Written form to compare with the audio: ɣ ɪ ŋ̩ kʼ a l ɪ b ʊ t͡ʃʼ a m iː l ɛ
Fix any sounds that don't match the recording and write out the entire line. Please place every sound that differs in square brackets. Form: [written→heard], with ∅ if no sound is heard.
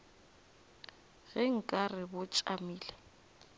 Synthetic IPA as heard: ɣ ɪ ŋ̩ kʼ a [l→r] ɪ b ʊ t͡ʃʼ a m iː l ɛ